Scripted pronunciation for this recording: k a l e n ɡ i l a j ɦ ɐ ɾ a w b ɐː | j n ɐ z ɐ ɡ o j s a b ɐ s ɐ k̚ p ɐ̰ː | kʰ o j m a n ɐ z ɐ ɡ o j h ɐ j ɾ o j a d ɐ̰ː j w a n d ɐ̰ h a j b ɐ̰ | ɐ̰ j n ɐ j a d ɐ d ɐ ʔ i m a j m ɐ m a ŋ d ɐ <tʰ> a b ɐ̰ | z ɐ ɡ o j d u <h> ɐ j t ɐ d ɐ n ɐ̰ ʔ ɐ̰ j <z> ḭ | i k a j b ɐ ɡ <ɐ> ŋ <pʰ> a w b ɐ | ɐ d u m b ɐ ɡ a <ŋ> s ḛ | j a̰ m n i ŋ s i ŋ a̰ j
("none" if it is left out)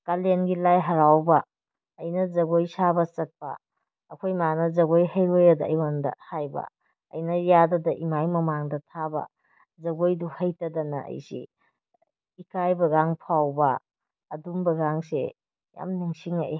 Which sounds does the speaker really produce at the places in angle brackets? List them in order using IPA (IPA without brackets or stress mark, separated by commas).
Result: tʰ, h, s, a, pʰ, ŋ